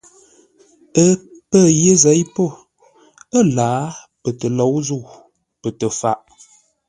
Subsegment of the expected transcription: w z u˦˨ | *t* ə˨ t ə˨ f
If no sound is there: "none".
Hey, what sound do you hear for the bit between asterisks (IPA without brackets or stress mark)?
p